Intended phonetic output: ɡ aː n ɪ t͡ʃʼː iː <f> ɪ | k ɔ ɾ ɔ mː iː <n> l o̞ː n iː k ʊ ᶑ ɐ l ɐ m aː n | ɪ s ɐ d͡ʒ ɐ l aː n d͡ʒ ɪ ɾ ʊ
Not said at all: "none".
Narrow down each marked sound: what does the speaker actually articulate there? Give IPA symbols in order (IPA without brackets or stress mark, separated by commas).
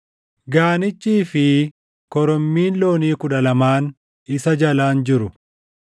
f, n